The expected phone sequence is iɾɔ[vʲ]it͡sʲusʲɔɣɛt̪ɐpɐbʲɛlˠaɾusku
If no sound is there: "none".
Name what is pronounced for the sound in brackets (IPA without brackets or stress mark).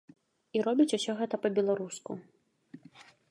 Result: bʲ